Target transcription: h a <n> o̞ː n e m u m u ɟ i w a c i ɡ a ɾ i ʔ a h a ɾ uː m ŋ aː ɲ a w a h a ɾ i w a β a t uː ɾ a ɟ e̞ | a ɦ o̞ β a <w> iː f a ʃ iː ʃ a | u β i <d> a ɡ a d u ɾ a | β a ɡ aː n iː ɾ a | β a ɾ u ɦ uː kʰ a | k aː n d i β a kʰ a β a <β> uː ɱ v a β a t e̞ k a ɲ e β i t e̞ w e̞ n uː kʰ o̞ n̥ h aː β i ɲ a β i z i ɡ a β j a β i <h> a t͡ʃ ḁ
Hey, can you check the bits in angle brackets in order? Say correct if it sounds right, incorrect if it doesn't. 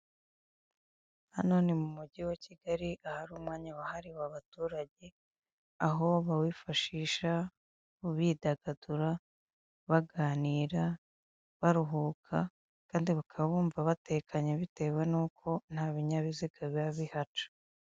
correct, correct, correct, correct, correct

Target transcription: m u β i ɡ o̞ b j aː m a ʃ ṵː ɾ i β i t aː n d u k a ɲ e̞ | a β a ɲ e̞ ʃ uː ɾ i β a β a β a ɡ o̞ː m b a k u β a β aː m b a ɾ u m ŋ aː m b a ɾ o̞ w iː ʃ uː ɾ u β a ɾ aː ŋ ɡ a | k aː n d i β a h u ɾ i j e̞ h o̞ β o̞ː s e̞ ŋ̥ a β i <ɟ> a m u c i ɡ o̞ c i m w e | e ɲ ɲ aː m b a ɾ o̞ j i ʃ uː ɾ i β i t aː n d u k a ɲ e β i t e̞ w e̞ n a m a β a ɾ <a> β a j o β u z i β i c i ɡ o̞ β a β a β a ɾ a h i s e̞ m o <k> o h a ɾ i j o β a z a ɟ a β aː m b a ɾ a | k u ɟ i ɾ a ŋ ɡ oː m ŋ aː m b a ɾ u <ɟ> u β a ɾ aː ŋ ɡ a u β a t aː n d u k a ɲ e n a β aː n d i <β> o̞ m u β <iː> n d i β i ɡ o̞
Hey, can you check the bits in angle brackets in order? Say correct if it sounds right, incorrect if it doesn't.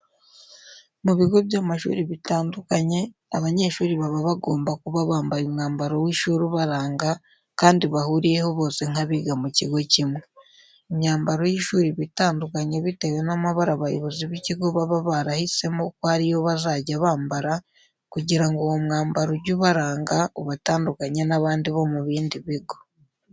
incorrect, correct, correct, correct, correct, correct

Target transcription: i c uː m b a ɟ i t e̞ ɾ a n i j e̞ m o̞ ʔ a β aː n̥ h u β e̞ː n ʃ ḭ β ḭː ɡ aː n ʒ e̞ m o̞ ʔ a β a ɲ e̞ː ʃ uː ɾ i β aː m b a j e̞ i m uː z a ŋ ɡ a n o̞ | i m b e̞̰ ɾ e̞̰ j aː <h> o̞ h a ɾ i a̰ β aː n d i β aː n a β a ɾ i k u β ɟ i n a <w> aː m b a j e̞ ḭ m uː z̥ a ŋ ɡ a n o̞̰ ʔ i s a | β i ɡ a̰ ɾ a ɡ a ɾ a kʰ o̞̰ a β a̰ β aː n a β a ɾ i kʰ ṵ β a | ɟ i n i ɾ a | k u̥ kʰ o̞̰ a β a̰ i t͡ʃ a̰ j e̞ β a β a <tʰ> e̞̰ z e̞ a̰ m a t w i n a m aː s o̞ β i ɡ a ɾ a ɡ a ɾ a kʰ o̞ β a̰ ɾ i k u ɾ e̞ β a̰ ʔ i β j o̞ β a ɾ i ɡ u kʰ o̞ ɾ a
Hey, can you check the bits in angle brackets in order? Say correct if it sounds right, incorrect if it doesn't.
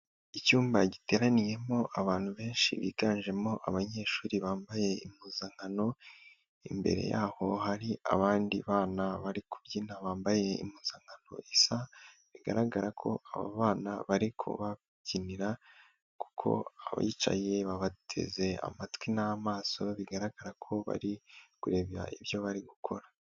correct, incorrect, correct

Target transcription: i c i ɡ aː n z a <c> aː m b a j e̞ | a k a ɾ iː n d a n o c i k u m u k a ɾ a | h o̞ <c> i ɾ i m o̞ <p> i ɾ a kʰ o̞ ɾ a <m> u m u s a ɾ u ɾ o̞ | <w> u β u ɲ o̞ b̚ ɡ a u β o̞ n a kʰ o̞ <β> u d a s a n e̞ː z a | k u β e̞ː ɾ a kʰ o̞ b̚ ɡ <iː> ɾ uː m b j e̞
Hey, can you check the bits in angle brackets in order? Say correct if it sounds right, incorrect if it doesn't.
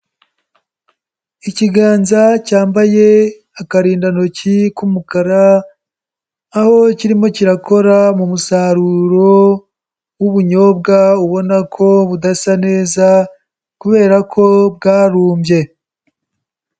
correct, correct, incorrect, correct, correct, correct, incorrect

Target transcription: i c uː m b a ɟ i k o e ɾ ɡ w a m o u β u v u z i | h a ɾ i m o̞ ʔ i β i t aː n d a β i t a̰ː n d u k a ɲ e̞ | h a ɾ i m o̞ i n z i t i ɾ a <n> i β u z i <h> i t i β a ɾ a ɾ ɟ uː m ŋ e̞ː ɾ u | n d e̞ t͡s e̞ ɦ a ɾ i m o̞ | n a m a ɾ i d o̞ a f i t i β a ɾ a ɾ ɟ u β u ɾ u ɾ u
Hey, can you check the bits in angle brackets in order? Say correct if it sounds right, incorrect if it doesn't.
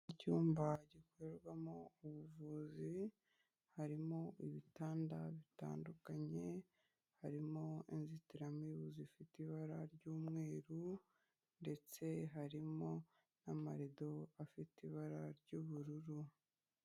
incorrect, incorrect

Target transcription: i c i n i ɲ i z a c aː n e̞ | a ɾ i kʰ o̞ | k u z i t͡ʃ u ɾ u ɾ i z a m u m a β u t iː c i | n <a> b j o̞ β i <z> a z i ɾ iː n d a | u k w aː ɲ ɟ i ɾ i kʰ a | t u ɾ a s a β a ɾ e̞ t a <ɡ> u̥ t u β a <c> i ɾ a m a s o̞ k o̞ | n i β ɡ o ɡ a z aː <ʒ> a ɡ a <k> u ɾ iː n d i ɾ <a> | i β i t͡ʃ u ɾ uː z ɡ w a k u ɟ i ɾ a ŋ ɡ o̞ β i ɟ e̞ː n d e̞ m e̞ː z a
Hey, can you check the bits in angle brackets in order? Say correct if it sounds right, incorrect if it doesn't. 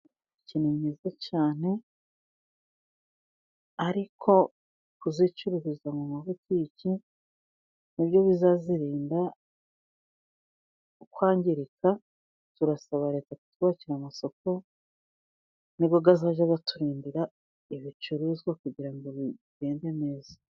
incorrect, correct, incorrect, correct, correct, incorrect, correct

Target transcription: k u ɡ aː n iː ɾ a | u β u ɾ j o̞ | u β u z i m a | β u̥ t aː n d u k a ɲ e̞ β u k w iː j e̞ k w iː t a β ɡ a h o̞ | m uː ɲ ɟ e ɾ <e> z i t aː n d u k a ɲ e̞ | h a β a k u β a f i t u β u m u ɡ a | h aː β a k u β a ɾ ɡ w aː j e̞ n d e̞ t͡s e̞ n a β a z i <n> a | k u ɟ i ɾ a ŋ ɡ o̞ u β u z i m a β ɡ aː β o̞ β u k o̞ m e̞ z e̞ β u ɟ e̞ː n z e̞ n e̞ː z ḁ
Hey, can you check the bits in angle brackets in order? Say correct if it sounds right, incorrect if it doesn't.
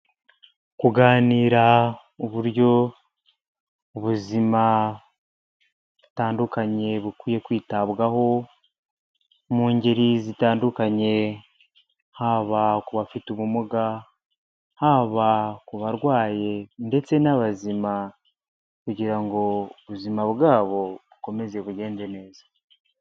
incorrect, incorrect

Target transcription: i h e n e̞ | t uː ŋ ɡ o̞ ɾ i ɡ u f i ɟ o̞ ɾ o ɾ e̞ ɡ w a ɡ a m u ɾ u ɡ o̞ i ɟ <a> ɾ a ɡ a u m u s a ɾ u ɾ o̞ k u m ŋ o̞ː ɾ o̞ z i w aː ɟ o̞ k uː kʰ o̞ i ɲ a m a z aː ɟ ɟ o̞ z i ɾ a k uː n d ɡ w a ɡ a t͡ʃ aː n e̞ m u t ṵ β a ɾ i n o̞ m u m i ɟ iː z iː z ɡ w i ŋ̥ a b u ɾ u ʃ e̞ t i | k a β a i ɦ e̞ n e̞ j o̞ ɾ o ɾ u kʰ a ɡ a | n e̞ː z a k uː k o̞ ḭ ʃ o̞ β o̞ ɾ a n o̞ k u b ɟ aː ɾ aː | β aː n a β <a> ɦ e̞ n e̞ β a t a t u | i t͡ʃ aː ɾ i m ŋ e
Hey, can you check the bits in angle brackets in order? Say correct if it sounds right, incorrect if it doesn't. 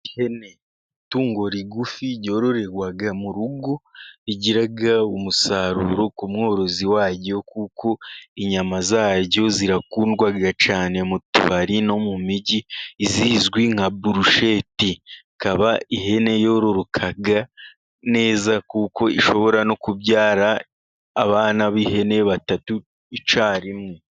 incorrect, incorrect

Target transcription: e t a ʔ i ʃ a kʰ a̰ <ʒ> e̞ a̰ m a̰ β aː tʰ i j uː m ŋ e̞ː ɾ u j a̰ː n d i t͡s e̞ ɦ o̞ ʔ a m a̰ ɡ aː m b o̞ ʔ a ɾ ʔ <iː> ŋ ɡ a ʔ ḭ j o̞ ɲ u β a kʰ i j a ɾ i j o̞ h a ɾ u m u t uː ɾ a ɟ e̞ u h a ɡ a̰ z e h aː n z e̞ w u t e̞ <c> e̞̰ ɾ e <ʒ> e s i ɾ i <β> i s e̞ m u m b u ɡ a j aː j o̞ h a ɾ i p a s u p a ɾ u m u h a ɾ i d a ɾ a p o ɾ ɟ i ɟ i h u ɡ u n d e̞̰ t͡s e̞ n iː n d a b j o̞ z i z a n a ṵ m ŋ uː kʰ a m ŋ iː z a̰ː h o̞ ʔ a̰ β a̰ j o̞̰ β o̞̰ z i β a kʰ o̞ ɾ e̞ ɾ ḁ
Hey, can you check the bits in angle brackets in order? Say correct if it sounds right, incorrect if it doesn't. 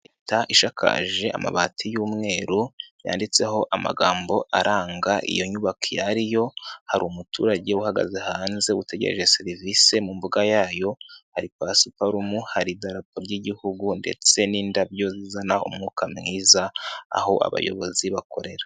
correct, incorrect, incorrect, correct, incorrect

